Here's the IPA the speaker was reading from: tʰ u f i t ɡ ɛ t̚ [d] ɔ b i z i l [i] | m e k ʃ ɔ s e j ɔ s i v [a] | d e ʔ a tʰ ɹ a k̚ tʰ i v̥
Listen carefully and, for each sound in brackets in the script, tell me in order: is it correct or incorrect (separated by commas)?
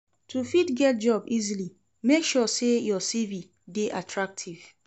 incorrect, correct, incorrect